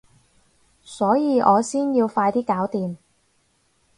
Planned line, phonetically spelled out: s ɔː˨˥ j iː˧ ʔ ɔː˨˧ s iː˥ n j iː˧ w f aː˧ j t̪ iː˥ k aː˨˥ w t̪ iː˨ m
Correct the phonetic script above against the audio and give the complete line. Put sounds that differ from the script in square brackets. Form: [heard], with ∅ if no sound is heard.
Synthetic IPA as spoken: s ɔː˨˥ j iː˧ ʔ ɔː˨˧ s iː˥ n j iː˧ w f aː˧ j t̪ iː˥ k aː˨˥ w t̪ iː˨ m